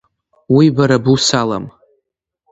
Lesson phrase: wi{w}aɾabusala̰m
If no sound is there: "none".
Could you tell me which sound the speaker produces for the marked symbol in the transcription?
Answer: b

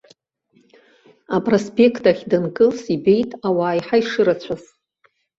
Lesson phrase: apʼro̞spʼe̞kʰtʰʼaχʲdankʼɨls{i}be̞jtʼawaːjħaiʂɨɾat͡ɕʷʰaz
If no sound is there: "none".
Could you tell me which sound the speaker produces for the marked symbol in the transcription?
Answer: i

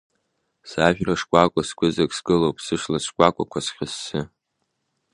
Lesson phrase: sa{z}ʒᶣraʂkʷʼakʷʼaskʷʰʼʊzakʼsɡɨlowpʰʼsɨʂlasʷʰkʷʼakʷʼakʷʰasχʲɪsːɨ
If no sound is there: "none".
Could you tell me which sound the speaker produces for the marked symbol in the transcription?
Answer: none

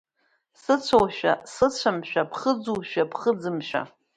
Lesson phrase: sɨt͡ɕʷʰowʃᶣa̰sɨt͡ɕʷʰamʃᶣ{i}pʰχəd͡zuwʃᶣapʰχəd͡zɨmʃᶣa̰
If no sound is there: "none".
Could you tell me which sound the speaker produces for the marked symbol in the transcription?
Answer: a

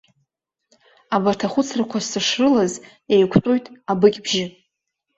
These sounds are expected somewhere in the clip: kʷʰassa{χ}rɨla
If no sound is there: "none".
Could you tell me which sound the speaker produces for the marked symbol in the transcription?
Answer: ʂ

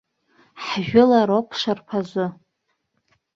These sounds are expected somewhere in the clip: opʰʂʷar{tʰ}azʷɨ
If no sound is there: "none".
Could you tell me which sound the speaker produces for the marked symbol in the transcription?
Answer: pʰ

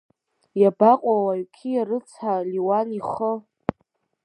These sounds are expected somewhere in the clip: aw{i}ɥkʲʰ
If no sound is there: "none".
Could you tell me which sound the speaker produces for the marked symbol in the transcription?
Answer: a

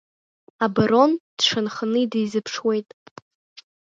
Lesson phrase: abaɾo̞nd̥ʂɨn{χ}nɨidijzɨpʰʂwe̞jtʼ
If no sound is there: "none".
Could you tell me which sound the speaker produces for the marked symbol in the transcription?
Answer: χ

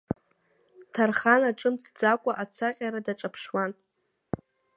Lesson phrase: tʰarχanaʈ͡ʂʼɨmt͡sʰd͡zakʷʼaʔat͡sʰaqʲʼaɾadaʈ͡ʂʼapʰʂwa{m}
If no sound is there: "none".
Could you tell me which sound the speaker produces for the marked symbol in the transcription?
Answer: n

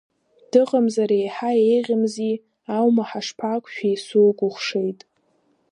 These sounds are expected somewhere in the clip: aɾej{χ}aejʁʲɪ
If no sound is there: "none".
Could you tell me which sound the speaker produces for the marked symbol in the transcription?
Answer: ħ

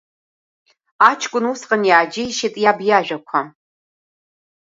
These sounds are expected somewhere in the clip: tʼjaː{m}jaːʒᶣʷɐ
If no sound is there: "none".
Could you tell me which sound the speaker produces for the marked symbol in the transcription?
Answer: b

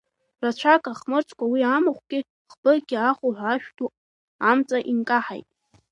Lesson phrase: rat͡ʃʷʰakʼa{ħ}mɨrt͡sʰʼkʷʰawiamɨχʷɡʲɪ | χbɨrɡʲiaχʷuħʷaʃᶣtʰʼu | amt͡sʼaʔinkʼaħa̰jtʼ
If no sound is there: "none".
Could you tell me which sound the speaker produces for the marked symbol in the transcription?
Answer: χ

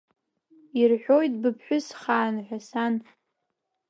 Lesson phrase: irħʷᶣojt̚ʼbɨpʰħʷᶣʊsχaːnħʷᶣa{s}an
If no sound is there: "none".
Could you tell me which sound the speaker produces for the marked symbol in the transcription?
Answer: s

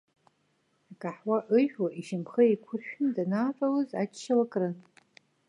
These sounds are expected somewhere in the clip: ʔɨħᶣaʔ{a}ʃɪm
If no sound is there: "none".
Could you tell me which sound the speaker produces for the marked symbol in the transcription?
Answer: i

